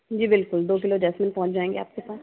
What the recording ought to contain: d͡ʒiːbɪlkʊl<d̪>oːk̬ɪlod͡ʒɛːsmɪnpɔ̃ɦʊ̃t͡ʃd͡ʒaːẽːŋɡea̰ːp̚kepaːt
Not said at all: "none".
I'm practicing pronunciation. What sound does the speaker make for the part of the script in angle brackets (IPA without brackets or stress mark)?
d̪